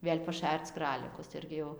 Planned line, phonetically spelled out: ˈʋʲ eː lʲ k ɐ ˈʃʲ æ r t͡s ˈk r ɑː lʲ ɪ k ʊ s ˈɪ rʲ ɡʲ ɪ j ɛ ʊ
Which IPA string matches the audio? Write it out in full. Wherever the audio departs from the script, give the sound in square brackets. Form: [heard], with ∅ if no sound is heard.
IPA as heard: ˈʋʲ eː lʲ [p] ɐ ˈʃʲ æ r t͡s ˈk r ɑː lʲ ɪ k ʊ s ˈɪ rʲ ɡʲ ɪ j ɛ ʊ